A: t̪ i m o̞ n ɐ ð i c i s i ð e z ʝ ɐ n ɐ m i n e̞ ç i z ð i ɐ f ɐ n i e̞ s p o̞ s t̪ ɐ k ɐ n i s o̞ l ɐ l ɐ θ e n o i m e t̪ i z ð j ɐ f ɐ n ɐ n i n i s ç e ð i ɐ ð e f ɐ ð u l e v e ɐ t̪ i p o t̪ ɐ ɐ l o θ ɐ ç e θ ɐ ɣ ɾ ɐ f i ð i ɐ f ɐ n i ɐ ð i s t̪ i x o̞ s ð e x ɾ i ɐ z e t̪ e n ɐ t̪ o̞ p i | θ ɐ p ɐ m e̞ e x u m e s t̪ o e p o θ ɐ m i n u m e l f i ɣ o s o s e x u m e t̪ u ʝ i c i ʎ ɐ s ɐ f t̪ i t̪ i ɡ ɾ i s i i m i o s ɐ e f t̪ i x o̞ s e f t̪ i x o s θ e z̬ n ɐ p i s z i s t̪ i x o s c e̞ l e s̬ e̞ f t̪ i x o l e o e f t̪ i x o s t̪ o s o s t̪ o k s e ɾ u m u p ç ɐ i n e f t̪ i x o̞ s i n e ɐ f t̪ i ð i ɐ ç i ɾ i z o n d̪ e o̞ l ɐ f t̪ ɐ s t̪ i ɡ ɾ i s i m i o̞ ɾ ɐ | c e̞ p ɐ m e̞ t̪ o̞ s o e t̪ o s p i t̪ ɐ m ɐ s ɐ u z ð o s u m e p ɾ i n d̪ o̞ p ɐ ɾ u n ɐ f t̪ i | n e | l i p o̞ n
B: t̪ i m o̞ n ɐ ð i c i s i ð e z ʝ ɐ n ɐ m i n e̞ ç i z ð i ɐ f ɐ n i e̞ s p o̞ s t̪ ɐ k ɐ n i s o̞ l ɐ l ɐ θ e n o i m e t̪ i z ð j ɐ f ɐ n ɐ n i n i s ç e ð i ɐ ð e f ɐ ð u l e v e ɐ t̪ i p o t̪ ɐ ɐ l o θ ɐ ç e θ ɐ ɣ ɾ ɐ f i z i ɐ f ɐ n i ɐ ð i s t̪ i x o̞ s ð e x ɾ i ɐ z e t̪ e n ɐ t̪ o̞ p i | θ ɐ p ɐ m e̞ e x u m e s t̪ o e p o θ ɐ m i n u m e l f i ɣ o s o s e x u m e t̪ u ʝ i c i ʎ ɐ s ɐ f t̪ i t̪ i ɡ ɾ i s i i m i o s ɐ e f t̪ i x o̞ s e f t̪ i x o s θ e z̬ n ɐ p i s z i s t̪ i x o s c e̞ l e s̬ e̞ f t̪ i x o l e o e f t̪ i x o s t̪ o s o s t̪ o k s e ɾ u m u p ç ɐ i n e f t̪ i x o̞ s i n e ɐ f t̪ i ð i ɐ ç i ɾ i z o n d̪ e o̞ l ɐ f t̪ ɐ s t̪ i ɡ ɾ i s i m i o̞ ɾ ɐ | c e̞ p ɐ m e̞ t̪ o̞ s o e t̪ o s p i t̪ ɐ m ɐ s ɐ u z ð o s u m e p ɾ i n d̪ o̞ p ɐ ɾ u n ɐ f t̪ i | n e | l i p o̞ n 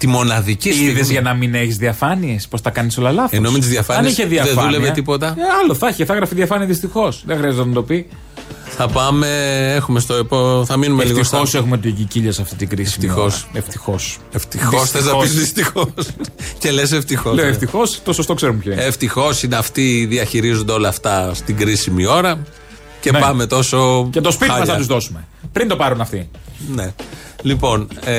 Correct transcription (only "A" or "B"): A